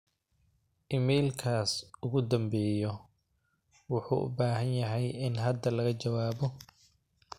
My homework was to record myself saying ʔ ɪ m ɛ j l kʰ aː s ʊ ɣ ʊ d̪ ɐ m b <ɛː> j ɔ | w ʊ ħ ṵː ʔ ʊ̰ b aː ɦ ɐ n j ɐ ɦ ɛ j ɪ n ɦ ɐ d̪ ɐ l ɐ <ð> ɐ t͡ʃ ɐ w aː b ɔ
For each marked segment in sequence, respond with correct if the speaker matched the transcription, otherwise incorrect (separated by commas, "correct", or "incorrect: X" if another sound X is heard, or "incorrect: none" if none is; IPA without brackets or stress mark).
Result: correct, incorrect: ɣ